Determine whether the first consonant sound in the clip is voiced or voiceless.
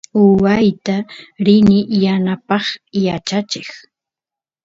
voiced